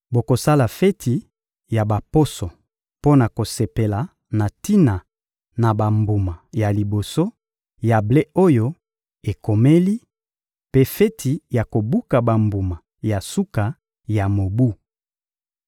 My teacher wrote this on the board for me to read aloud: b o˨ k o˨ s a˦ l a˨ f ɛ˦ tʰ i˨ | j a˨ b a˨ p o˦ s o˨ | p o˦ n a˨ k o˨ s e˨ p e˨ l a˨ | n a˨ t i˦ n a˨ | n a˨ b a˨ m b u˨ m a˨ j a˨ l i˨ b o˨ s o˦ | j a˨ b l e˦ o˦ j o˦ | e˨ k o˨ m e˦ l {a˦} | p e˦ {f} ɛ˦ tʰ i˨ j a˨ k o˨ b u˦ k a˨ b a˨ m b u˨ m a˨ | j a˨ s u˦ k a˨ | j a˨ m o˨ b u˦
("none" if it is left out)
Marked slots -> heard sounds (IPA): i˦, f

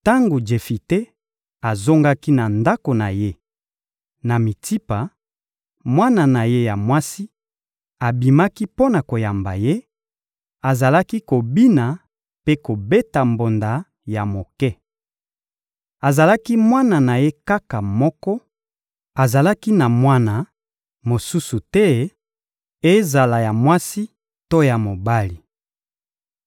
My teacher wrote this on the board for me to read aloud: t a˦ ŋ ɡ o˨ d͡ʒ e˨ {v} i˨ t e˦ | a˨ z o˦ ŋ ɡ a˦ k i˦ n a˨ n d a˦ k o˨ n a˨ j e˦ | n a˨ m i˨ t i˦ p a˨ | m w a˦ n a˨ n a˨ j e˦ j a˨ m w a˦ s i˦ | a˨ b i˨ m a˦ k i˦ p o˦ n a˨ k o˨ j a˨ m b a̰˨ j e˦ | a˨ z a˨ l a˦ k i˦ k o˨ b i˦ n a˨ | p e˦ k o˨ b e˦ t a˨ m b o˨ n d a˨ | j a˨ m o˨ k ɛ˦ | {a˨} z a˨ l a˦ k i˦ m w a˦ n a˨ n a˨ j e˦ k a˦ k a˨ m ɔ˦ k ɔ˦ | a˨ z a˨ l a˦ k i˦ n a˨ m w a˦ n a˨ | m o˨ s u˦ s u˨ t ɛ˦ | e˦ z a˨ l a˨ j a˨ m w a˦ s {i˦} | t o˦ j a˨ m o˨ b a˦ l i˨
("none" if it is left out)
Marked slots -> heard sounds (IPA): f, a˨, i˦

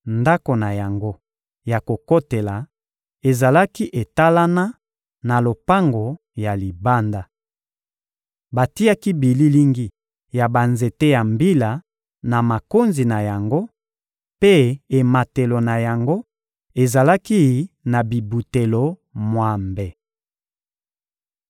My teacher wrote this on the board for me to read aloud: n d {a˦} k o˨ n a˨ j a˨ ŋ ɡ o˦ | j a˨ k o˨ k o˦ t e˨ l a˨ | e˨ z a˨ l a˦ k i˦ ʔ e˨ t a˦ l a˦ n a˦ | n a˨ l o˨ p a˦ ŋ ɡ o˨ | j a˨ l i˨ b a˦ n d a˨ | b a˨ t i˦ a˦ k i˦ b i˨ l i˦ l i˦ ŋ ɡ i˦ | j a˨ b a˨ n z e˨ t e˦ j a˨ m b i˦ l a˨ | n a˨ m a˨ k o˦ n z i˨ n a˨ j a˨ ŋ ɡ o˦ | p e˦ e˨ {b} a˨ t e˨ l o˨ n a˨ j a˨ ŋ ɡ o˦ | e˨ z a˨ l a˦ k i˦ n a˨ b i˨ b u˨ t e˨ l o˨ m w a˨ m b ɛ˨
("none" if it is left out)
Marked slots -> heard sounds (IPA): a˦, m

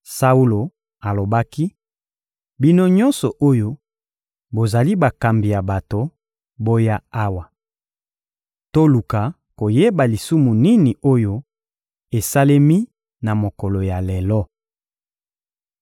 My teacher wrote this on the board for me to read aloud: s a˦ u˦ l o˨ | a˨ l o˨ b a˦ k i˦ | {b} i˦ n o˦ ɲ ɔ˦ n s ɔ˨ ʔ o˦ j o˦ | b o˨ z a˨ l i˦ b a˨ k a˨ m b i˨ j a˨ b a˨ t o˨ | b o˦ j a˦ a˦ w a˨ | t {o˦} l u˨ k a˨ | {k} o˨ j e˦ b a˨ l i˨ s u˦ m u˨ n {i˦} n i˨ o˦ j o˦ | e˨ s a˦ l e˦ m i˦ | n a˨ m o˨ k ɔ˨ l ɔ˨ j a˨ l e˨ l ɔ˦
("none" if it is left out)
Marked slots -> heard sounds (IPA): b, o˦, k, i˦

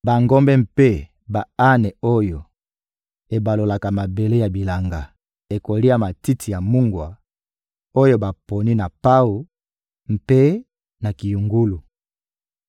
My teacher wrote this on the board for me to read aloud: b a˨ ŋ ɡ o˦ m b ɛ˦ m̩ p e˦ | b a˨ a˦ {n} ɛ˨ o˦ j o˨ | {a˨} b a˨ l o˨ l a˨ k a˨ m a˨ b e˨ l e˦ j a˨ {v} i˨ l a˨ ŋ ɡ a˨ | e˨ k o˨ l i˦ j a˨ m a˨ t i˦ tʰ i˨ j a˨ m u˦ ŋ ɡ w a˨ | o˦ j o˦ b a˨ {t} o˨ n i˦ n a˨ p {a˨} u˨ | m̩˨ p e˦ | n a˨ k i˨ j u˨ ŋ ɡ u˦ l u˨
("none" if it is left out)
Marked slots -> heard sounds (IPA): n, e˨, b, p, a˦

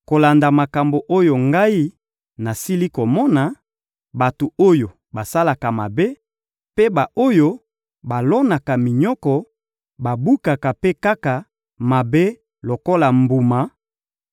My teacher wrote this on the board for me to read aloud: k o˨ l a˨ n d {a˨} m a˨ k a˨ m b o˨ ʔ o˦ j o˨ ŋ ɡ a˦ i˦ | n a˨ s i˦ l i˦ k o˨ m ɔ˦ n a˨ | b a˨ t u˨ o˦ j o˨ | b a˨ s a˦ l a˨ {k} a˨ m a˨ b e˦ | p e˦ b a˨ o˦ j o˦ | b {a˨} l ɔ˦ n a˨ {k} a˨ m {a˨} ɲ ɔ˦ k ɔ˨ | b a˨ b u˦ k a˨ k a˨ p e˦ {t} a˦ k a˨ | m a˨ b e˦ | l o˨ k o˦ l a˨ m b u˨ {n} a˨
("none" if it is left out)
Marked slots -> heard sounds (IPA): a˨, k, a˨, k, i˨, k, m

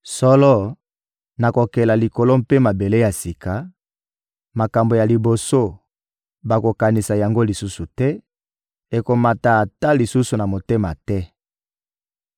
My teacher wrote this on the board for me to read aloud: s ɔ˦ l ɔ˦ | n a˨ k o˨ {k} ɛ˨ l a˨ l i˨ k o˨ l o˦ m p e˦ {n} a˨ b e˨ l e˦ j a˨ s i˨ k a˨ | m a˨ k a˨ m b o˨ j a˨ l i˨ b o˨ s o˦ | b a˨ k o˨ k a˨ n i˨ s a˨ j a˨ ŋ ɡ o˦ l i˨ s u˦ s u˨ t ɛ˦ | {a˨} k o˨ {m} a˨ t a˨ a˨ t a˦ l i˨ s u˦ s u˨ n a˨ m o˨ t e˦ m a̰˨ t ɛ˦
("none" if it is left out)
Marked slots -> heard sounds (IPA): k, m, e˨, m

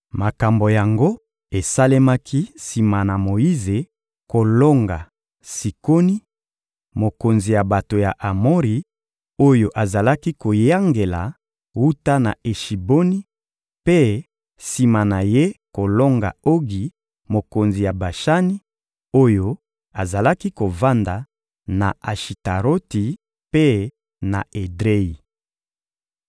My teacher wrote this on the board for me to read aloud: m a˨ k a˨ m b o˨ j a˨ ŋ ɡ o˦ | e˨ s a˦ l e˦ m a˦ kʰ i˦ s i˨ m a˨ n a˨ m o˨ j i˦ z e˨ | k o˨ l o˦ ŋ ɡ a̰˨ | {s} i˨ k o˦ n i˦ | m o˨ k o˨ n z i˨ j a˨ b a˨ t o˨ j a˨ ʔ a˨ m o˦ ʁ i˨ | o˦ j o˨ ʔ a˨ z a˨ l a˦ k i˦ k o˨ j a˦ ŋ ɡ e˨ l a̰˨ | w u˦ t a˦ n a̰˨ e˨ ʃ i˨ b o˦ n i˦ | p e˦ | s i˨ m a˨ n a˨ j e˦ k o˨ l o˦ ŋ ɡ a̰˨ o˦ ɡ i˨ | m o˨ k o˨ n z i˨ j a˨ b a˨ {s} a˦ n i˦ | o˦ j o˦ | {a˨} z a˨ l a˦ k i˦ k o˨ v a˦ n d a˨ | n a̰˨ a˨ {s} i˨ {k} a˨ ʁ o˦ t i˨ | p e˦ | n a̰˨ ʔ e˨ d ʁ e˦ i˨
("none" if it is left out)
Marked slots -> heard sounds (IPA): s, ʃ, a˨, ʃ, t

